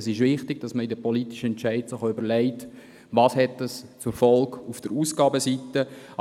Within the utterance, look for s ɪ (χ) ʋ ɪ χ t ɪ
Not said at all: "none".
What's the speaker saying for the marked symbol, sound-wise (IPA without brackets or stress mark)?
ʃ